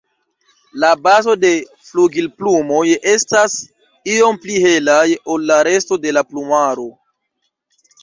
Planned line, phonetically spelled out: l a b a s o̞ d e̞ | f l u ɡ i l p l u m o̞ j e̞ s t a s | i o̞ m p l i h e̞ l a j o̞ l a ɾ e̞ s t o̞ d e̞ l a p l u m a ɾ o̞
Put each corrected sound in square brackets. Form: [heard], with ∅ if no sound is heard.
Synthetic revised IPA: l a b a [z] o̞ d e̞ | f l u ɡ i l p l u m o̞ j e̞ s t a s | i o̞ m p l i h e̞ l a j o̞ [lː] a ɾ e̞ s t o̞ d e̞ l a p l u m a ɾ o̞